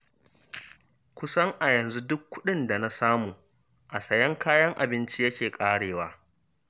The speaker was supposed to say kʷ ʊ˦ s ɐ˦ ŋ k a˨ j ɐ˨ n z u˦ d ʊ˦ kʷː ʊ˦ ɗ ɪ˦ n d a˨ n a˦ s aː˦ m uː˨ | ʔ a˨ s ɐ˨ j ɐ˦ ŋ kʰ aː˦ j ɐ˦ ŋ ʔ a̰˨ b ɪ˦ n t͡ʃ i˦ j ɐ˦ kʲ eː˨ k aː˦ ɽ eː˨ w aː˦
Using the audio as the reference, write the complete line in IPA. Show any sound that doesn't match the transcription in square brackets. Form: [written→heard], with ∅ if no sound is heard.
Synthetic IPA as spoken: kʷ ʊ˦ s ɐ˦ ŋ [k→ʔ] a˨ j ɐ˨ n z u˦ d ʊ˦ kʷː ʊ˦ ɗ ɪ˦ n d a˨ n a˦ s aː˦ m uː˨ | ʔ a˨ s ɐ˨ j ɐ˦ ŋ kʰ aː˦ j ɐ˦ ŋ ʔ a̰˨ b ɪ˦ n t͡ʃ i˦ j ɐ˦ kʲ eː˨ [k→kʼ] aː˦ ɽ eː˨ w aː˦